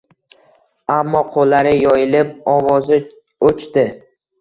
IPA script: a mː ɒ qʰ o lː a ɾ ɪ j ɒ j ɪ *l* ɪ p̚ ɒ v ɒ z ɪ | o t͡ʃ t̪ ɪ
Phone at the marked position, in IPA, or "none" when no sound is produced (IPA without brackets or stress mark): l